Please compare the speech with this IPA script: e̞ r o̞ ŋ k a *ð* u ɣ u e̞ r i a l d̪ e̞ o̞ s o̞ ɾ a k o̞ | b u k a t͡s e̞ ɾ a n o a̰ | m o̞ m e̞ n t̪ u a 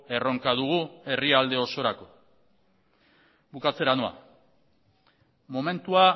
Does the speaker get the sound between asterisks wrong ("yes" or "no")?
no